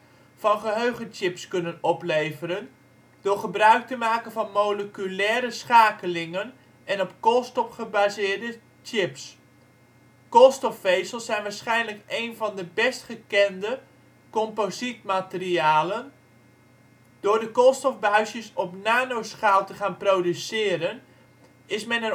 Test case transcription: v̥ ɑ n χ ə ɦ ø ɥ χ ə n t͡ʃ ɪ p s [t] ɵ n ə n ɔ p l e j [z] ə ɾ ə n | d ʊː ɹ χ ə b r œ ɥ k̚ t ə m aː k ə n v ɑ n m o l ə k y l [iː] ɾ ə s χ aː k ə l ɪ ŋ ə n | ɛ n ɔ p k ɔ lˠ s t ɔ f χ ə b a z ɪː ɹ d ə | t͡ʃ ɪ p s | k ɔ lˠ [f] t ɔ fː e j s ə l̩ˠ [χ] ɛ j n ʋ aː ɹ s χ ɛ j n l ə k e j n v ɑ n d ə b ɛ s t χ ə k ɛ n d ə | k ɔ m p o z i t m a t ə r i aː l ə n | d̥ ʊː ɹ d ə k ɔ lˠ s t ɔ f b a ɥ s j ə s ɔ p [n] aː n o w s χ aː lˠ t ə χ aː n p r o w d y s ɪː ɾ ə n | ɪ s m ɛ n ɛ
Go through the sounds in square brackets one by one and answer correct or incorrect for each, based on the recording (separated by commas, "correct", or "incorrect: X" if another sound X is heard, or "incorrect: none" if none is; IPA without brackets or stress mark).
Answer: incorrect: k, incorrect: v, incorrect: ɛː, incorrect: s, incorrect: s, correct